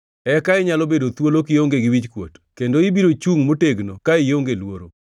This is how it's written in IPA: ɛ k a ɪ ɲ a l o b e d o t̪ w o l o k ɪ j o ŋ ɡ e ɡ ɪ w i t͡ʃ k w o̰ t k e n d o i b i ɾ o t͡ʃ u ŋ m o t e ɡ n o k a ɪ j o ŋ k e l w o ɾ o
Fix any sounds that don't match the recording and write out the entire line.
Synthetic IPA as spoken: ɛ k a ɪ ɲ a l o b e d o t̪ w o l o k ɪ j o ŋ ɡ e ɡ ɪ w i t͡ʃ k w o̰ t k e n d o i b i ɾ o t͡ʃ u ŋ m o t e ɡ n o k a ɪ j o ŋ ɡ e l w o ɾ o